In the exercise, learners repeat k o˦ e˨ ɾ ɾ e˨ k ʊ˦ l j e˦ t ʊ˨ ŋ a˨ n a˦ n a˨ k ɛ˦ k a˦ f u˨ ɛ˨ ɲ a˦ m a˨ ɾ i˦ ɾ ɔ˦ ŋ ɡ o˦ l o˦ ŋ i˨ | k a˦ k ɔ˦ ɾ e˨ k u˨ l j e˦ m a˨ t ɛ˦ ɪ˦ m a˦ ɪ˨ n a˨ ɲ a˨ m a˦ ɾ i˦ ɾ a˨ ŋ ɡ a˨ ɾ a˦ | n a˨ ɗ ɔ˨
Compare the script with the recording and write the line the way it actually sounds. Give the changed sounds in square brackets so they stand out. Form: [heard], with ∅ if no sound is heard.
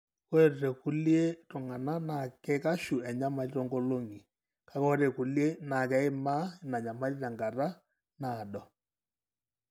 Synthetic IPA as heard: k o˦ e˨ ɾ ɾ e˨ k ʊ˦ l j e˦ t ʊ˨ ŋ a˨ n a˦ n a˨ k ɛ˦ k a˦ [ʃ] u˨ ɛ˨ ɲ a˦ m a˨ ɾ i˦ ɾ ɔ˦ ŋ ɡ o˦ l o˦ ŋ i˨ | k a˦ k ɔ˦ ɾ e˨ k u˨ l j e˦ [n] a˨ [k] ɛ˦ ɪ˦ m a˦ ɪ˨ n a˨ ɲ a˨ m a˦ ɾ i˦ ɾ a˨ ŋ ɡ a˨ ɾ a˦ | n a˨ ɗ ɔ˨